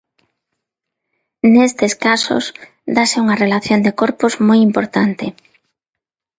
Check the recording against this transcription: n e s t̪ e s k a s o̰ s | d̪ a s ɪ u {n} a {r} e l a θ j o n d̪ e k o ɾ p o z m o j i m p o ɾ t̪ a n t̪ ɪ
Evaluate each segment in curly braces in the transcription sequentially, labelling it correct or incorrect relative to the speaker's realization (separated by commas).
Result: incorrect, correct